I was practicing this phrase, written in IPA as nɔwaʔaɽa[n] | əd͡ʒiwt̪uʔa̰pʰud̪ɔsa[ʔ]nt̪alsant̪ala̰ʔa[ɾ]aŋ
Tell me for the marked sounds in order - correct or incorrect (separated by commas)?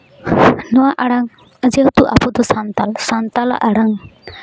incorrect, incorrect, incorrect